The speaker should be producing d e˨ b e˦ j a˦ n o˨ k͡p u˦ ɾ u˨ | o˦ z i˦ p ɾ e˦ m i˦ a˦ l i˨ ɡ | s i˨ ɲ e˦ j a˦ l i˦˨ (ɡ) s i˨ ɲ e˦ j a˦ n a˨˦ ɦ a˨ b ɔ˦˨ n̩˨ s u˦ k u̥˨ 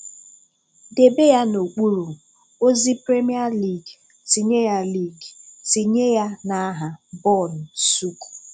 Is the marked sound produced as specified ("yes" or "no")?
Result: yes